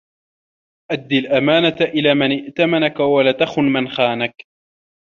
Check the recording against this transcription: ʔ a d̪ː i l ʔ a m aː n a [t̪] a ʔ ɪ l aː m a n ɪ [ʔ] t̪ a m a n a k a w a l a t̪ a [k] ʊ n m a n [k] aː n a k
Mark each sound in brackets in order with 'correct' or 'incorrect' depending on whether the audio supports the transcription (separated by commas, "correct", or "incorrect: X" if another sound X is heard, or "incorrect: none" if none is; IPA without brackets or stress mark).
correct, correct, incorrect: x, incorrect: x